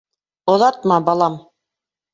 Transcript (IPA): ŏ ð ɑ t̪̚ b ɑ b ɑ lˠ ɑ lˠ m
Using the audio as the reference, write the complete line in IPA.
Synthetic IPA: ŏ ð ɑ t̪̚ m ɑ b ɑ lˠ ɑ m